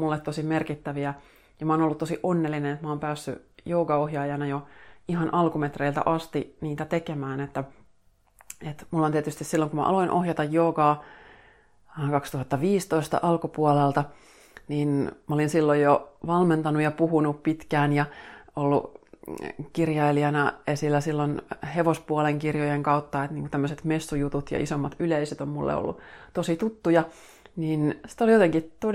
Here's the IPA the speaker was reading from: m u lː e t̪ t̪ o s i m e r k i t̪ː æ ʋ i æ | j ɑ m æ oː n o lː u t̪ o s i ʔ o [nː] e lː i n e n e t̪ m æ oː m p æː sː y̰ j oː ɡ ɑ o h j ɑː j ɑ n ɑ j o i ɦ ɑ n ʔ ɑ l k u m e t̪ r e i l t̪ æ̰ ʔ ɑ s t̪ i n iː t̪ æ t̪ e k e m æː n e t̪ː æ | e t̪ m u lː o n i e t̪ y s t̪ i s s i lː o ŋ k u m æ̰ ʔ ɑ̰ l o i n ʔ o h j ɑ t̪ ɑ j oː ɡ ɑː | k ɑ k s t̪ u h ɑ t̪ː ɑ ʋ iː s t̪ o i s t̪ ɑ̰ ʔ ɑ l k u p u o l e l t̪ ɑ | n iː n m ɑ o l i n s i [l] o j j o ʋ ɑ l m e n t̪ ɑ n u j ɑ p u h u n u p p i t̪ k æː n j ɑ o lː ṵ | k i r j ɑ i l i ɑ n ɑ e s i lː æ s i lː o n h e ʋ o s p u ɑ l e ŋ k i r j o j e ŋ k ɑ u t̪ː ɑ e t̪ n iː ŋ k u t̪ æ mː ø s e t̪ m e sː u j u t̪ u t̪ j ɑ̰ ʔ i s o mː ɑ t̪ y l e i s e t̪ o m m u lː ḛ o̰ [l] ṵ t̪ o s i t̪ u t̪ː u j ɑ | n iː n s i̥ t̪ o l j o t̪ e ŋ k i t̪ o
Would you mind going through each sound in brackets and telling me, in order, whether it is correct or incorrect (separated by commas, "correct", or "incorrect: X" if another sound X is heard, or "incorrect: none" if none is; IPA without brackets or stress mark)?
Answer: correct, incorrect: lː, incorrect: lː